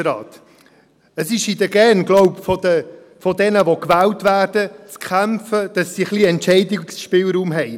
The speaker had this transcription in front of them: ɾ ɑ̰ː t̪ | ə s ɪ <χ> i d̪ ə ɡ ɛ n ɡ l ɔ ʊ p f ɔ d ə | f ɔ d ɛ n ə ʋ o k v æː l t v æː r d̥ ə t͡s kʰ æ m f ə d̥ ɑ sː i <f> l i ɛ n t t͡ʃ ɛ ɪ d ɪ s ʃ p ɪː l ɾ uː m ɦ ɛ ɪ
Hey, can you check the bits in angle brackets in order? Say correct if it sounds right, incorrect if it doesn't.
incorrect: ʃ, incorrect: χ

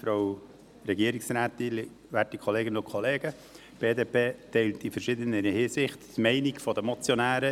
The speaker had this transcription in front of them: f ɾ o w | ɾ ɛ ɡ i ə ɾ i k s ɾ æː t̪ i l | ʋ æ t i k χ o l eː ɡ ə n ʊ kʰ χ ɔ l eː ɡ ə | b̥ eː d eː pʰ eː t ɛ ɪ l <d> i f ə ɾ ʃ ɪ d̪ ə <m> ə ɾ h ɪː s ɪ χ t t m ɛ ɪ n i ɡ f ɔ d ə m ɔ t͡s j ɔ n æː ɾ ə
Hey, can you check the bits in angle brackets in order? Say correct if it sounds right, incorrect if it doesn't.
incorrect: t, incorrect: n

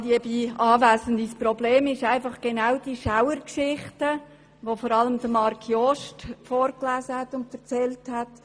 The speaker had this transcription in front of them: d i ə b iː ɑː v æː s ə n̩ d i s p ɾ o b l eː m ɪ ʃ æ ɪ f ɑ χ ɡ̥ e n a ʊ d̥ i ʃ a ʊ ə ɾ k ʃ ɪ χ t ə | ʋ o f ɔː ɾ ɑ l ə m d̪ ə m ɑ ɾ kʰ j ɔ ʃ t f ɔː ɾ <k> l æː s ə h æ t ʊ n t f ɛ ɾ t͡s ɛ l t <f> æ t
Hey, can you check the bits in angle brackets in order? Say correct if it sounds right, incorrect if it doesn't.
correct, incorrect: h

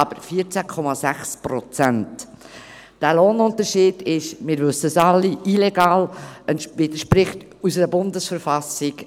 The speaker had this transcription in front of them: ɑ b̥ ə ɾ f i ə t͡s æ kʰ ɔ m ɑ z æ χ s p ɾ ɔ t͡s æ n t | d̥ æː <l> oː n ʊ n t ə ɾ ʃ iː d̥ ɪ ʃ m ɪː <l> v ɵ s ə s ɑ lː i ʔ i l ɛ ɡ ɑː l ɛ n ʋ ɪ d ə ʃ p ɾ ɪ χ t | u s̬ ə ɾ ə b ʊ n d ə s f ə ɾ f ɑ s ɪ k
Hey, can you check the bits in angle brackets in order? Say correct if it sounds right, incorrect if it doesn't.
correct, incorrect: ɾ

